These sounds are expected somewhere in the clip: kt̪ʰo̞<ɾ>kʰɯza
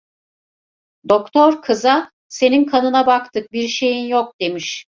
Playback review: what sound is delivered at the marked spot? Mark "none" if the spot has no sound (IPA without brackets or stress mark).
ɾ